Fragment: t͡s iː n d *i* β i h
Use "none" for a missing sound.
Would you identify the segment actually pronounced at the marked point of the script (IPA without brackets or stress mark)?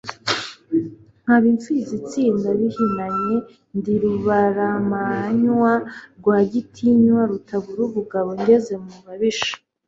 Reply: a